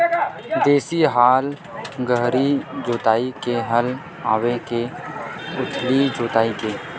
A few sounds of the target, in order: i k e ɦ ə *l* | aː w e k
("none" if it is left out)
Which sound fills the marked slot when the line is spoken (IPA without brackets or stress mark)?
l